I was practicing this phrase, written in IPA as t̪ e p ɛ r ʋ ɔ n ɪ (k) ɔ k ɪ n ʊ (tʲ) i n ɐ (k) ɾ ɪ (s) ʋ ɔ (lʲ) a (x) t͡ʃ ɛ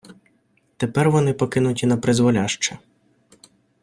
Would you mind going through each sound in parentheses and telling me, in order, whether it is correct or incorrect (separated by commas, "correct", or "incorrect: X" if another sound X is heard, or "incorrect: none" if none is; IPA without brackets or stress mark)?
incorrect: p, correct, incorrect: p, incorrect: z, correct, incorrect: ʃ